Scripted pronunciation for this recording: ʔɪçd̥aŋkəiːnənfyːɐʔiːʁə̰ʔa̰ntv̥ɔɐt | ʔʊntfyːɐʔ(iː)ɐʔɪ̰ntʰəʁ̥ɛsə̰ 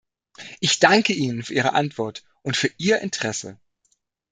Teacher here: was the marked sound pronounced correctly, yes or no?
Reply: yes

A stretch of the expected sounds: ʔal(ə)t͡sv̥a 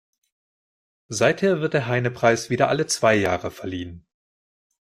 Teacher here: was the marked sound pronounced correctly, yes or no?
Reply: yes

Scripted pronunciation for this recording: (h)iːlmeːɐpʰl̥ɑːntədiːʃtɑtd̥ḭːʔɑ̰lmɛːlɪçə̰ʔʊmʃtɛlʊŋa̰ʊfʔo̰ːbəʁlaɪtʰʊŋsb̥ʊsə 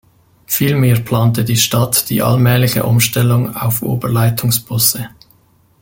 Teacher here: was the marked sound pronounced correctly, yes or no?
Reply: no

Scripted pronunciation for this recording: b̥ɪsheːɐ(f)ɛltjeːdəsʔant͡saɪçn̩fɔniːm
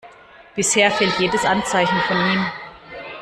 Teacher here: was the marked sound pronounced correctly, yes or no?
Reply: yes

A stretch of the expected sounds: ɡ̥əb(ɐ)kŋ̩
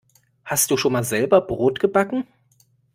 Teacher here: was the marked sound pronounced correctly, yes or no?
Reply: no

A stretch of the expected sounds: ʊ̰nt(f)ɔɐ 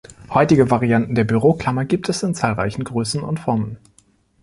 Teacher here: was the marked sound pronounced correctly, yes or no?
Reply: yes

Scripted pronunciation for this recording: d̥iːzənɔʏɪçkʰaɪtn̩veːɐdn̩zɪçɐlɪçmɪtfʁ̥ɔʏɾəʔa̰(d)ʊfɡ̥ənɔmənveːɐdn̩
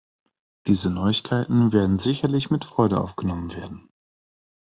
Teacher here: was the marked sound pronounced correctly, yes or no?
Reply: no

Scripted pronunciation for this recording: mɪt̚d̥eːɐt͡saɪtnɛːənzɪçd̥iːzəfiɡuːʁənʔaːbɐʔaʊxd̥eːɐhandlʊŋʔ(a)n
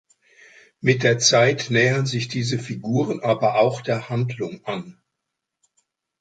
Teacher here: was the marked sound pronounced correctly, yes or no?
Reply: yes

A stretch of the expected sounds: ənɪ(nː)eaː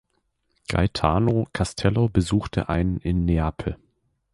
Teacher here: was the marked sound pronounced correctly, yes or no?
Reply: yes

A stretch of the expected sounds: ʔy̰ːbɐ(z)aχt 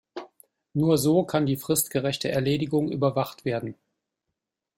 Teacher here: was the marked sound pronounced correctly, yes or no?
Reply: no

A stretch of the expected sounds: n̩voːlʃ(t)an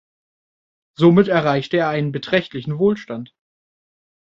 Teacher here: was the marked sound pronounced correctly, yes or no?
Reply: yes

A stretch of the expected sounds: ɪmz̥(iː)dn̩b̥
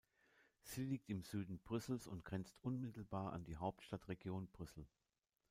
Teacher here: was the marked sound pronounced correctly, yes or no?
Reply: no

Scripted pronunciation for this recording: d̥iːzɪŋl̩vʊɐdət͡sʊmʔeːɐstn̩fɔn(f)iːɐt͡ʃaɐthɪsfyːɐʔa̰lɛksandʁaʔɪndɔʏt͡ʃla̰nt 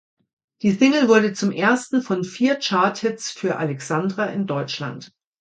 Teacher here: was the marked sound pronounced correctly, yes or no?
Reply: yes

